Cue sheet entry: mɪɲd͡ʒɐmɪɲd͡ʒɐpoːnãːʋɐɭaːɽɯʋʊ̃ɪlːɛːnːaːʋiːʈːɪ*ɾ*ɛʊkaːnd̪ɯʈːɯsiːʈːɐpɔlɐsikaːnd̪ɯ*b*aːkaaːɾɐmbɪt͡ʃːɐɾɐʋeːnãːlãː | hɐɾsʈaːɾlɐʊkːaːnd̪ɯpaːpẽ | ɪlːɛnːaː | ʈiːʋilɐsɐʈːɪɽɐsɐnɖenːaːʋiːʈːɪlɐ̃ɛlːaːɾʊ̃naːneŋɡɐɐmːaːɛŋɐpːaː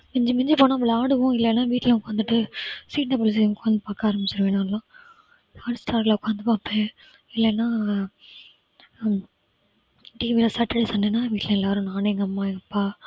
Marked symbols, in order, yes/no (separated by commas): no, no